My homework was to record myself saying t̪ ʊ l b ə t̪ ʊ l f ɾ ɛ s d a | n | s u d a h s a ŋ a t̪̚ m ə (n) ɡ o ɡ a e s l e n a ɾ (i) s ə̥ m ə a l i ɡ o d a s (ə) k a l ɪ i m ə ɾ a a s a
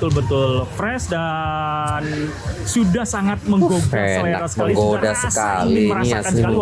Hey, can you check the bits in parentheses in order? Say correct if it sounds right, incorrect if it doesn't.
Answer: incorrect, incorrect, correct

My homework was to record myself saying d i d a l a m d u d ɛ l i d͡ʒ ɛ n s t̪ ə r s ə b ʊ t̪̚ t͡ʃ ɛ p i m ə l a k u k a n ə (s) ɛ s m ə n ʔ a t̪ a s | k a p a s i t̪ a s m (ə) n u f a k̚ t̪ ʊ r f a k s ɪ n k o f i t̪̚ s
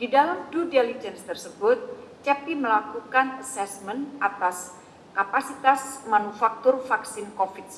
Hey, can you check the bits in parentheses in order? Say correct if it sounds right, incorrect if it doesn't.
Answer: correct, incorrect

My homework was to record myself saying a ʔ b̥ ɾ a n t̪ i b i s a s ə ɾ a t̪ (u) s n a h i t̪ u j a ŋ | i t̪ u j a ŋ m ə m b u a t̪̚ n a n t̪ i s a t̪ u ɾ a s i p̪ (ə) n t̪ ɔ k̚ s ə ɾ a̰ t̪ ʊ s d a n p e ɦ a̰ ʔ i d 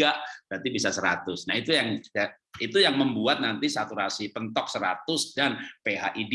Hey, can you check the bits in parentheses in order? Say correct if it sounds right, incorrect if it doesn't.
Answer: incorrect, correct

